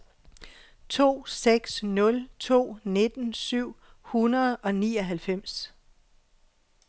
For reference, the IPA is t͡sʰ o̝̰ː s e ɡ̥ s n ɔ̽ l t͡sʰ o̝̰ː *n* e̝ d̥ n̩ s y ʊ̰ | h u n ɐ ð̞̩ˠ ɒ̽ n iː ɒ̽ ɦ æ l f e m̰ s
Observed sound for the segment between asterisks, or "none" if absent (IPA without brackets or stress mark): n